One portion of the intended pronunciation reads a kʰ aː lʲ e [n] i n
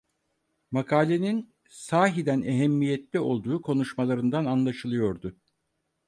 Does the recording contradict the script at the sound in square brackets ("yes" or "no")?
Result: no